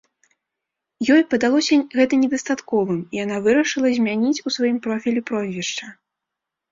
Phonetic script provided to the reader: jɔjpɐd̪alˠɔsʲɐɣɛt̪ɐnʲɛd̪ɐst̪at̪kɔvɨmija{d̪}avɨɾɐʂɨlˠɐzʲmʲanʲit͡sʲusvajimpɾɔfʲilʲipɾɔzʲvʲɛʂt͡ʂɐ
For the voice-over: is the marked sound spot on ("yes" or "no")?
no